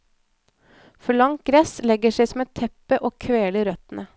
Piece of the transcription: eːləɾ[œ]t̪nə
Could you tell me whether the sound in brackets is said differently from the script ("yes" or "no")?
no